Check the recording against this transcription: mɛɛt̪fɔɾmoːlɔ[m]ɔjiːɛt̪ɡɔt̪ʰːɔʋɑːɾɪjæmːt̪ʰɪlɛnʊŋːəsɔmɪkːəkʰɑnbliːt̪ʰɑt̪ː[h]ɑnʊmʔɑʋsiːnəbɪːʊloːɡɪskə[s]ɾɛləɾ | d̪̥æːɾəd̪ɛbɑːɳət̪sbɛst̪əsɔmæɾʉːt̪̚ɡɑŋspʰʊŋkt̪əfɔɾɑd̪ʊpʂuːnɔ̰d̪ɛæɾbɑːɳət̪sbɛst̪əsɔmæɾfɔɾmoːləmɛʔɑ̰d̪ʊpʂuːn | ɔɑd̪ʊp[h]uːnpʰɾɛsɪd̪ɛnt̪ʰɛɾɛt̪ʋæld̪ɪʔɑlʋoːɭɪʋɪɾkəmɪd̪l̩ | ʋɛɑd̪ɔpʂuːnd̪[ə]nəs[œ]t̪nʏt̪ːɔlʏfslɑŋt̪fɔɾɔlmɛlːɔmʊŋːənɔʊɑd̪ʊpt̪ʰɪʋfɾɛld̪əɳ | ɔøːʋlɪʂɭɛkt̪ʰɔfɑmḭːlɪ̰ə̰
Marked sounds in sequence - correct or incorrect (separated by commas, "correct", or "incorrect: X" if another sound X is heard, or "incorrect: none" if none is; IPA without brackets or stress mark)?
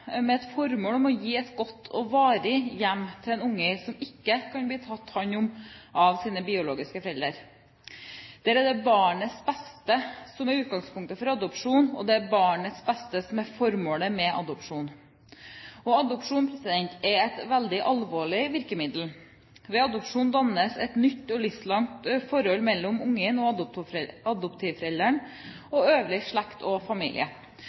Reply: correct, correct, incorrect: f, incorrect: ʂ, incorrect: ɑ, incorrect: ɛ